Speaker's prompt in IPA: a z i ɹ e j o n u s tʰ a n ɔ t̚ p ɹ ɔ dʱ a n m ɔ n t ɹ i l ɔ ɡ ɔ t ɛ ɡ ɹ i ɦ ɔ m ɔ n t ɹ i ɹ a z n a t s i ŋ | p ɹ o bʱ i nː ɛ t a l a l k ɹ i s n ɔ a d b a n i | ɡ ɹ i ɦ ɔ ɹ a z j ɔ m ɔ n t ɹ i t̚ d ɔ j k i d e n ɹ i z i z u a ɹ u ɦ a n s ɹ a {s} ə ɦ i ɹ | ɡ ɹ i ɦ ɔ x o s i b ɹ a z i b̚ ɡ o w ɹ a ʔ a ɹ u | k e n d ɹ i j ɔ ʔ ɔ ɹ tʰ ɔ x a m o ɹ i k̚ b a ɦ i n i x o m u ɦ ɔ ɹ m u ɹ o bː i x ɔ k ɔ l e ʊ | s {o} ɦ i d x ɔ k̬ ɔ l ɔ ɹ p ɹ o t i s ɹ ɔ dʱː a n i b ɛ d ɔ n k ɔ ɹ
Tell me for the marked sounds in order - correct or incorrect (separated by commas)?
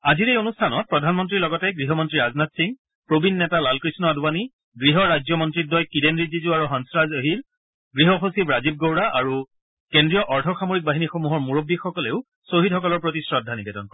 incorrect, correct